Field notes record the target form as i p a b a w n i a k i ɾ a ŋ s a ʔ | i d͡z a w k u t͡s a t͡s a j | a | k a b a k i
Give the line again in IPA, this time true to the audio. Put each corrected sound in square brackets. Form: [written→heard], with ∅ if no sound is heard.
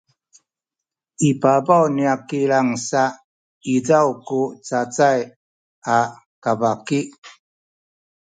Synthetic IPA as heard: i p a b a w n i a k i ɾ a ŋ s a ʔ | i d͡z a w k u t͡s a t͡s a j | a | k a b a k i

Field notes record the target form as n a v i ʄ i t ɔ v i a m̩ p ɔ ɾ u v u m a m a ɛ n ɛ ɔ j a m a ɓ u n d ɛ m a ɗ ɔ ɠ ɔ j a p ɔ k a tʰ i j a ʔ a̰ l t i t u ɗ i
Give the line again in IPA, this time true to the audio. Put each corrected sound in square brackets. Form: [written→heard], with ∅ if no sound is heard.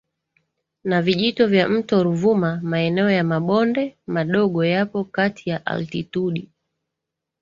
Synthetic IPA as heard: n a v i ʄ i t ɔ v [i→j] a m̩ [p→t] ɔ ɾ u v u m a m a ɛ n ɛ ɔ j a m a ɓ [u→ɔ] n d ɛ m a ɗ ɔ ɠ ɔ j a p ɔ k a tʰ i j a ʔ a̰ l t i t u ɗ i

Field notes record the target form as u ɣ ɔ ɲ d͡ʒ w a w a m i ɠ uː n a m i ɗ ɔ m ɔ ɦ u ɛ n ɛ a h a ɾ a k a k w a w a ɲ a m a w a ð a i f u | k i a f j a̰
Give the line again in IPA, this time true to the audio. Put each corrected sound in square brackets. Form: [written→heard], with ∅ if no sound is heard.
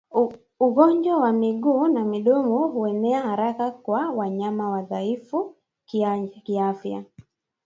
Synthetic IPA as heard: u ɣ ɔ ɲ d͡ʒ w a w a m i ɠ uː n a m i ɗ ɔ m ɔ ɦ u ɛ n ɛ a h a ɾ a k a k w a w a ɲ a m a w a ð a i f u | k i a f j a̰

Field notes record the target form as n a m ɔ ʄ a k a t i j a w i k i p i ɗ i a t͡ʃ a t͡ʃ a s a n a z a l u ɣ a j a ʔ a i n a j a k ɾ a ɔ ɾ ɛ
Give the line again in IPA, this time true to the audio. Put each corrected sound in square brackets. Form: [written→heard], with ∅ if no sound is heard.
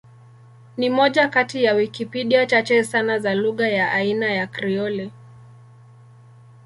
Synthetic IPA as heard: n [a→i] m ɔ ʄ a k a t i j a w i k i p i ɗ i a t͡ʃ a t͡ʃ [a→ɛ] s a n a z a l u ɣ a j a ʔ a i n a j a k ɾ [a→i] ɔ [ɾ→l] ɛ

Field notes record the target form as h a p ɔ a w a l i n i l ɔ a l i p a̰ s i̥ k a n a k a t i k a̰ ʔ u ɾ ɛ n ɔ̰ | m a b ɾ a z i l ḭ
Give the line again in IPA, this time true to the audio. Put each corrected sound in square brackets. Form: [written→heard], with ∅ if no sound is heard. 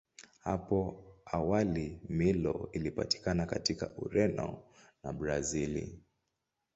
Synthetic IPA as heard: h a p ɔ a w a l i [n→m] i l ɔ [a→i] l i p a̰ [s→t] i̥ k a n a k a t i k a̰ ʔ u ɾ ɛ n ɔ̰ | [m→n] a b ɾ a z i l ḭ

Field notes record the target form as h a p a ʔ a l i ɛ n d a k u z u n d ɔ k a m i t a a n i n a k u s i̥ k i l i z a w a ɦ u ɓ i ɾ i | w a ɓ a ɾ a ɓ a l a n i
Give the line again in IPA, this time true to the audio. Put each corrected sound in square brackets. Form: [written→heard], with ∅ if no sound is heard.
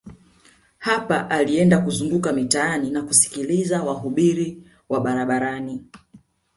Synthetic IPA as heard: h a p a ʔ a l i ɛ n d a k u z u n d [ɔ→u] k a m i t a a n i n a k u s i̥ k i l i z a w a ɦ u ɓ i ɾ i | w a ɓ a ɾ a ɓ a [l→ɾ] a n i

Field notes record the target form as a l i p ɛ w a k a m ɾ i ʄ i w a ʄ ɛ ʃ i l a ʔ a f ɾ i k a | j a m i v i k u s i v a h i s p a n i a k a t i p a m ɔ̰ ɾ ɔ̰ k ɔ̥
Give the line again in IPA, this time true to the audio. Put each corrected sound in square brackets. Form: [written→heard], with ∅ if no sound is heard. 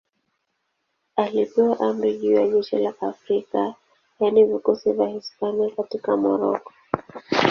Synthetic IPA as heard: a l i p ɛ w a [k→ʔ] a m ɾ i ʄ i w a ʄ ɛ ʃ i l a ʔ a f ɾ i k a | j a [m→n] i v i k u s i v a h i s p a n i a k a t i [p→k] a m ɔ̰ ɾ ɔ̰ k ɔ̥

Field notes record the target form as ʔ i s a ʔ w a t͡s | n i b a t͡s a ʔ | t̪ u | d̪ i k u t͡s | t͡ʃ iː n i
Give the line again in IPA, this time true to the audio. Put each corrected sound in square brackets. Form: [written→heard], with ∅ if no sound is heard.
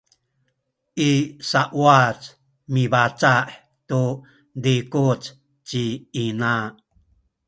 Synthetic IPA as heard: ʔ i s a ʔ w a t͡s | [n→m] i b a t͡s a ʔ | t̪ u | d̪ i k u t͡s | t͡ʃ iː n [i→a]

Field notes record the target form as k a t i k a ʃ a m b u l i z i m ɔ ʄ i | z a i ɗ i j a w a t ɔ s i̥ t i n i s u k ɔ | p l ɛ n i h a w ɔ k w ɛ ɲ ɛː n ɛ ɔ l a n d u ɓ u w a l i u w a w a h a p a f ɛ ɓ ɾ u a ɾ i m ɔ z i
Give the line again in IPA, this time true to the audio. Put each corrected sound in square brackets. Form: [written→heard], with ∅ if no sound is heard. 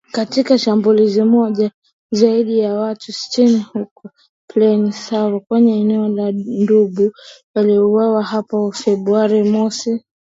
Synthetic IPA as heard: k a t i k a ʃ a m b u l i z i m ɔ ʄ [i→a] | z a i ɗ i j a w a t [ɔ→u] s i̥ t i n i [s→h] u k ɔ | p l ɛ n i [h→s] a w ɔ k w ɛ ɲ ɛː n ɛ ɔ l a n d u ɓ u w a l i u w a w a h a p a f ɛ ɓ ɾ u a ɾ i m ɔ [z→s] i

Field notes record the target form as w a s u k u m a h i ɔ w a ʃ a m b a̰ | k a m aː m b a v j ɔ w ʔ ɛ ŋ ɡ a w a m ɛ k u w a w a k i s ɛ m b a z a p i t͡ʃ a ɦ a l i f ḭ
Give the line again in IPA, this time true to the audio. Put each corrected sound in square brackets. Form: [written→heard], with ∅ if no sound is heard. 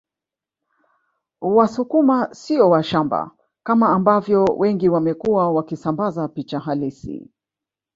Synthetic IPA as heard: w a s u k u m a [h→s] i ɔ w a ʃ a m b a̰ | k a m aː m b a v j ɔ w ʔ ɛ ŋ ɡ [a→i] w a m ɛ k u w a w a k i s [ɛ→a] m b a z a p i t͡ʃ a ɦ a l i [f→s] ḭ

